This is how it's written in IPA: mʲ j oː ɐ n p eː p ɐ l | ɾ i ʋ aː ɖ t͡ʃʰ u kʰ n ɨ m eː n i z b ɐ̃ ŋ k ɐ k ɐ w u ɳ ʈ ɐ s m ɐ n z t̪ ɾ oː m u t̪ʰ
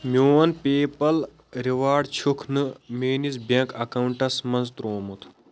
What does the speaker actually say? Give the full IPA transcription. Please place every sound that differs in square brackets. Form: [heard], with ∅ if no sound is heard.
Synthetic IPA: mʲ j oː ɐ n p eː p ɐ l | ɾ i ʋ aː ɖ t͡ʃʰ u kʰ n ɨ m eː n i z b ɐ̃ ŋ k ɐ k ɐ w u ɳ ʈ ɐ s m ɐ n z t̪ ɾ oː m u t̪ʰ